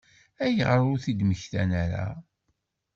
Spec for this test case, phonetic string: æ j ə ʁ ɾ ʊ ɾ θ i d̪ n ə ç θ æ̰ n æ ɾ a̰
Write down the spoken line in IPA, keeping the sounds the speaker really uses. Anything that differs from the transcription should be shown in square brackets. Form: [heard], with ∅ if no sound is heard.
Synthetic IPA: æ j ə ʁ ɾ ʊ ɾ θ i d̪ [m] ə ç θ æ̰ n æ ɾ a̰